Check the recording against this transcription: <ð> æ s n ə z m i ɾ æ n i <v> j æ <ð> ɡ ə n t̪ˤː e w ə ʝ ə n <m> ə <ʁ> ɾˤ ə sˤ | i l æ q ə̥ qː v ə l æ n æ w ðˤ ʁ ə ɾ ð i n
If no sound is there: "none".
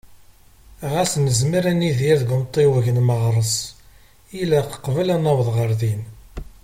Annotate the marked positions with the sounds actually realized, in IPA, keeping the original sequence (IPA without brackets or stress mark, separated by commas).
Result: ʁ, ð, ð, m, ʁ